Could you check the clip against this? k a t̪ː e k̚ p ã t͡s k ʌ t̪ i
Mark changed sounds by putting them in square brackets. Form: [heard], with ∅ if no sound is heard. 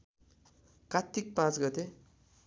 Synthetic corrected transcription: k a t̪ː [i] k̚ p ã t͡s [ɡ] ʌ t̪ [e]

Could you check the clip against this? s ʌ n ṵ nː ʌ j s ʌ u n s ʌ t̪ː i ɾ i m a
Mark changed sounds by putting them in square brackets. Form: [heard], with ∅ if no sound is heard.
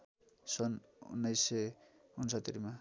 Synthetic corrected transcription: s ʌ n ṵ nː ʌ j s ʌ u n s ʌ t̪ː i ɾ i m a

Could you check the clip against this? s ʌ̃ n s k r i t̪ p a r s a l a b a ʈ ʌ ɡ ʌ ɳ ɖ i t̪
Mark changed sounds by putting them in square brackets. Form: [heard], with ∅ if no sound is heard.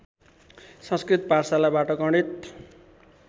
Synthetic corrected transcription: s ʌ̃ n s k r i t̪ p a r s a l a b a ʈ ʌ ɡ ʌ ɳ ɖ i t̪

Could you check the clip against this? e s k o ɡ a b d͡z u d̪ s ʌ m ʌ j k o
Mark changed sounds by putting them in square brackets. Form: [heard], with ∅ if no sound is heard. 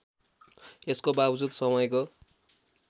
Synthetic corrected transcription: e s k o [b] a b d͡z u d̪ s ʌ m ʌ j k o

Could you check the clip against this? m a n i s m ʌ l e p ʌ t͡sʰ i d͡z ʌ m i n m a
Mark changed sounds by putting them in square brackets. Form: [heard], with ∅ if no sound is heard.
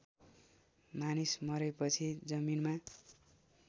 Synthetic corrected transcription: m a n i s m ʌ [ɾ] e p ʌ t͡sʰ i d͡z ʌ m i n m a

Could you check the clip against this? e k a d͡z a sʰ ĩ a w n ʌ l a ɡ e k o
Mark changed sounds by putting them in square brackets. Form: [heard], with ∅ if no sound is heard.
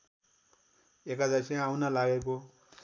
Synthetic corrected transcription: e k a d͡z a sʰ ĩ a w n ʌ l a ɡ e k o

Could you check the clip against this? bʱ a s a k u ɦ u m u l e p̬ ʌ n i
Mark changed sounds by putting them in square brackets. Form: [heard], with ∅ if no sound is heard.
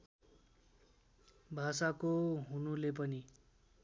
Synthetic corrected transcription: bʱ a s a k [o] ɦ u [n] u l e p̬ ʌ n i

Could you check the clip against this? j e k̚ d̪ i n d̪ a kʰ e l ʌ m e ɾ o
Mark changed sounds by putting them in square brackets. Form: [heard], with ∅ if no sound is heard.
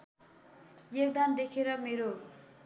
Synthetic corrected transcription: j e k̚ d̪ [a] n d̪ [e] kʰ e [ɾ] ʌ m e ɾ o

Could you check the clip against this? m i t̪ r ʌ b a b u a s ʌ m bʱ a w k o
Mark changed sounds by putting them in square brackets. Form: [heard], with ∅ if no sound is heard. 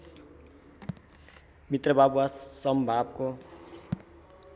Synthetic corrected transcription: m i t̪ r ʌ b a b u a s ʌ m bʱ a [b] k o

